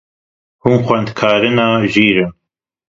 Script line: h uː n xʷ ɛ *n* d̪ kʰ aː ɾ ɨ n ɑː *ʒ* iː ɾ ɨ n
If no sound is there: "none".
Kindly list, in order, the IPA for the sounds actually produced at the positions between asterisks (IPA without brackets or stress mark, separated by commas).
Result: n, ʒ